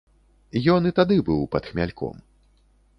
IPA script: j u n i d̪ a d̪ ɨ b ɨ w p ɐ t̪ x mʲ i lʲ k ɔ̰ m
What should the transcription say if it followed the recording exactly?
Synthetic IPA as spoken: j ɔ n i t̪ a d̪ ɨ b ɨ w p ɐ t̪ x mʲ a lʲ k ɔ̰ m